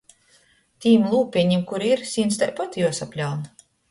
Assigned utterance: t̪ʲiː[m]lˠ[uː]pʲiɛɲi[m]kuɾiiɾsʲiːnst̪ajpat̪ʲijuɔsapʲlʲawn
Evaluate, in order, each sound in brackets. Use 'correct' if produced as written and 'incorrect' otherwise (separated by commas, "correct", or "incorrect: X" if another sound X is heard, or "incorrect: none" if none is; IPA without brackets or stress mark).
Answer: correct, correct, correct